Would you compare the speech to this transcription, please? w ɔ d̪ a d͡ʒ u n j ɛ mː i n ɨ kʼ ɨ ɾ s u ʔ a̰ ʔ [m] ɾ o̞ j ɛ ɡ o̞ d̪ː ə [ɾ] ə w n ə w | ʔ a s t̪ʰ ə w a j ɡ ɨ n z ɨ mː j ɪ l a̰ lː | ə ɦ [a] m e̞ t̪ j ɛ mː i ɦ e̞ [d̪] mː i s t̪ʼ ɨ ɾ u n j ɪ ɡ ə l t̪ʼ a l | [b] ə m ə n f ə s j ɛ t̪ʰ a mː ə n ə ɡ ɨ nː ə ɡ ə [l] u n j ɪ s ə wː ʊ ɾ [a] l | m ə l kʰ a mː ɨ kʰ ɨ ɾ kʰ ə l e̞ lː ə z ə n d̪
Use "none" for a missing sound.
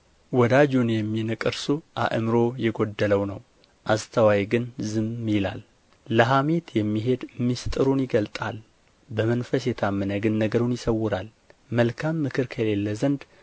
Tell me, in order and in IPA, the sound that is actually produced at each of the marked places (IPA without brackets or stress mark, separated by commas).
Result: m, l, a, d̪, b, ɾ, a